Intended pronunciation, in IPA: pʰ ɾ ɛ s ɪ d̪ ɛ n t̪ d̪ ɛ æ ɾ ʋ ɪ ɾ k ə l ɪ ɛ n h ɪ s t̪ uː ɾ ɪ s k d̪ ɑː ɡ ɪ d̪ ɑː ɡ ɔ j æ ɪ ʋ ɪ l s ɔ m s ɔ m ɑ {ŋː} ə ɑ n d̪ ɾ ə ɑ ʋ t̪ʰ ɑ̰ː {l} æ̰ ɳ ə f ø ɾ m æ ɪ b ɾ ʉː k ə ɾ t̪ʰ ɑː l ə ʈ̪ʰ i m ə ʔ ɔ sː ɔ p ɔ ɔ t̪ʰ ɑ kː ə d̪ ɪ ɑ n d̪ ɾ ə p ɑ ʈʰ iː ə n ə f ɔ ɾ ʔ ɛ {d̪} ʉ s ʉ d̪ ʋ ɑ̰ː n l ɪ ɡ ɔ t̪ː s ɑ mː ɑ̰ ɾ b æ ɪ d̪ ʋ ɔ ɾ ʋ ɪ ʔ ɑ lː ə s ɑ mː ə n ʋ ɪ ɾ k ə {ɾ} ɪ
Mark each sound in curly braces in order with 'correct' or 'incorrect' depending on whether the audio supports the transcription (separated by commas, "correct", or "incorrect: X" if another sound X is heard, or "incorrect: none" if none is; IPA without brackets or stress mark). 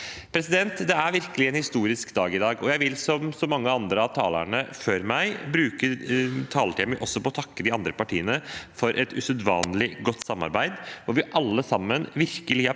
correct, correct, incorrect: t̪, incorrect: l